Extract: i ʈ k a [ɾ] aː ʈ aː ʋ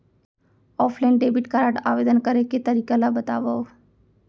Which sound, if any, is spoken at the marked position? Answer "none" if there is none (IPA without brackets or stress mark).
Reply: ɾ